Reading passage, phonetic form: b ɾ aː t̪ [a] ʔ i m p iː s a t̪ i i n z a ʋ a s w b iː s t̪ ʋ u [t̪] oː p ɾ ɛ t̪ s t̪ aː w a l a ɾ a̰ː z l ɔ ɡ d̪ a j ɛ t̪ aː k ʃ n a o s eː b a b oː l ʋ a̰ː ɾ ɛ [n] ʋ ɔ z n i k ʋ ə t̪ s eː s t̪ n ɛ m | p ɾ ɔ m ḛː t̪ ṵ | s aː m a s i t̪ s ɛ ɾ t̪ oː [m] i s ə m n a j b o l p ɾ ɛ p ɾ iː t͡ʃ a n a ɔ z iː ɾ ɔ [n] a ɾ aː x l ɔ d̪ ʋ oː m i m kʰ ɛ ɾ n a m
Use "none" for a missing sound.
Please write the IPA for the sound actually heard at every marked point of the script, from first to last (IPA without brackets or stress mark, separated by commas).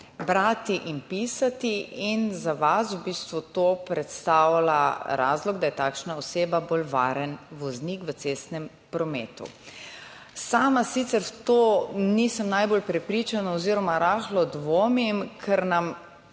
i, t̪, n, n, m